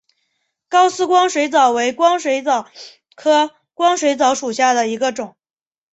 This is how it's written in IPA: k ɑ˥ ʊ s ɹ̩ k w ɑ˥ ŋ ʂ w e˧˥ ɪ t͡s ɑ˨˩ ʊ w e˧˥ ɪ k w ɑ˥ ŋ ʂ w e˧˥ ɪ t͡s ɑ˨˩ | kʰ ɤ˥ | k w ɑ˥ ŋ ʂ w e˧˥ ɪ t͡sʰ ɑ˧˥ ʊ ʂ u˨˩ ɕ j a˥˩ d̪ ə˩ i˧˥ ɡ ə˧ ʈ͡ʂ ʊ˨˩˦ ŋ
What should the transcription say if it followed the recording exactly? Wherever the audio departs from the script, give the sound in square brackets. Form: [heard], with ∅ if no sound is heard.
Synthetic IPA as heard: k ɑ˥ ʊ s ɹ̩ k w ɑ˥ ŋ ʂ w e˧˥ ɪ t͡s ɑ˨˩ ʊ w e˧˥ ɪ k w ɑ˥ ŋ ʂ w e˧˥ ɪ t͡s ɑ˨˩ | kʰ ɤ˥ | k w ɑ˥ ŋ ʂ w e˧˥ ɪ [t͡s] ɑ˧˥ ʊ ʂ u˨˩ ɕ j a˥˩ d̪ ə˩ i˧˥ ɡ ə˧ ʈ͡ʂ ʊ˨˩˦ ŋ